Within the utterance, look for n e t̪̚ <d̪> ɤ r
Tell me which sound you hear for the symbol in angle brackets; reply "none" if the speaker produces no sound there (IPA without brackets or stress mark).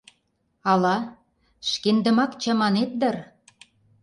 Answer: d̪